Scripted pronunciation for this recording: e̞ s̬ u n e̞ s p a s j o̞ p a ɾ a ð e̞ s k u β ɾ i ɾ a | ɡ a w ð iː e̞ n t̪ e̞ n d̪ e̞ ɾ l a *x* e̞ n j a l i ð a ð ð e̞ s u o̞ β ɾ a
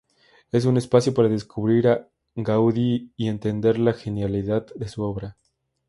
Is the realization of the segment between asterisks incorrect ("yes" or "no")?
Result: no